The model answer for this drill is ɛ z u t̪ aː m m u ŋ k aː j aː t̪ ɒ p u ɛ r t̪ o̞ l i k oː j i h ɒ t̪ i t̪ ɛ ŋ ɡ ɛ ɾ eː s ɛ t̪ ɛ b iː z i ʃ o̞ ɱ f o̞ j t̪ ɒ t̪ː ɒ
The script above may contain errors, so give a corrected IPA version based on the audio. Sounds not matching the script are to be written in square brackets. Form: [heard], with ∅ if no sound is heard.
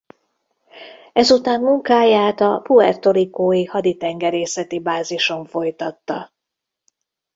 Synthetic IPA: ɛ z u t̪ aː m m u ŋ k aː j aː t̪ ɒ p u ɛ r t̪ o̞ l i k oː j i h ɒ [d̪] i t̪ ɛ ŋ ɡ ɛ ɾ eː s ɛ t̪ [i] b [aː] z i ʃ o̞ ɱ f o̞ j t̪ ɒ t̪ː ɒ